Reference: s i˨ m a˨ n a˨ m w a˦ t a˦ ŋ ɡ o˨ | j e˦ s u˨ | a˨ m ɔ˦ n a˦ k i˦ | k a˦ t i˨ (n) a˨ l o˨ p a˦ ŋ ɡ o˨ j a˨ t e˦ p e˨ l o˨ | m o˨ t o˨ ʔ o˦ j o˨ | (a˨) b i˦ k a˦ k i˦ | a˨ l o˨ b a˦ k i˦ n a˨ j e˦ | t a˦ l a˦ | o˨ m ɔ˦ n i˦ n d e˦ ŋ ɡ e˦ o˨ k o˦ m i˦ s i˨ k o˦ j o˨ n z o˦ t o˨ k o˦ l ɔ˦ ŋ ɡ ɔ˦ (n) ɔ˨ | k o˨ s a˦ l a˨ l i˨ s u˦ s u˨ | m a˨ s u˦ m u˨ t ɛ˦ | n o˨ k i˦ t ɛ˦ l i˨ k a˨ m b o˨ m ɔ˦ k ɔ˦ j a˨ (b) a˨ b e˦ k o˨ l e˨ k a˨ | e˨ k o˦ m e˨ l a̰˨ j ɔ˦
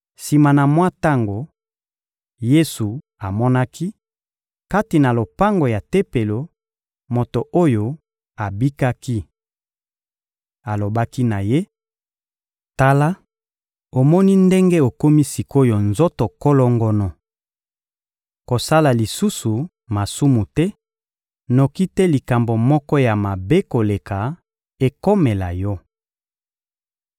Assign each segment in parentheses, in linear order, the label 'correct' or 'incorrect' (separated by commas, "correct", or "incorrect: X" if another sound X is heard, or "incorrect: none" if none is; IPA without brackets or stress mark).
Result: correct, correct, correct, incorrect: m